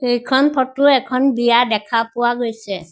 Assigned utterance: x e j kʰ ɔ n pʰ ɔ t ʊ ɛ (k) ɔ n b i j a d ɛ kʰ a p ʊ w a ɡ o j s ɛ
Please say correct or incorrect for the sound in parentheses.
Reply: incorrect